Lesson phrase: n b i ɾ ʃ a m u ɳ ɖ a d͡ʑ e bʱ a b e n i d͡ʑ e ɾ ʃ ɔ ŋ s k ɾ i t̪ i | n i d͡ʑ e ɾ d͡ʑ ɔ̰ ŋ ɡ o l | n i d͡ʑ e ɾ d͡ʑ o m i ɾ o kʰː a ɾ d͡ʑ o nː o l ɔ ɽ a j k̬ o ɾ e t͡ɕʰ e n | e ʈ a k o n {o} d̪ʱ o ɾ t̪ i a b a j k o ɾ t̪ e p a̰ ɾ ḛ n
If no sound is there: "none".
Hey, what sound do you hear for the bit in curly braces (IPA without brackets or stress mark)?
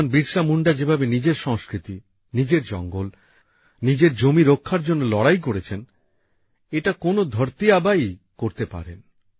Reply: o